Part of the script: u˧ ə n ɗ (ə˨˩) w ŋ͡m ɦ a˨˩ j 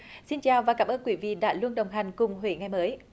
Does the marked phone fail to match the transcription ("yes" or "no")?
no